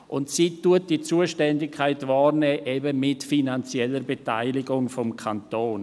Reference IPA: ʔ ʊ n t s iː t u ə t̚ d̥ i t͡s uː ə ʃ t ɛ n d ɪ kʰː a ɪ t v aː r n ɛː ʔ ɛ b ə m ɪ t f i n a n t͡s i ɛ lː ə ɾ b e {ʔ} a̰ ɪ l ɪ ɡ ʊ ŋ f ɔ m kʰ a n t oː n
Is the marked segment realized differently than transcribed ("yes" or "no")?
yes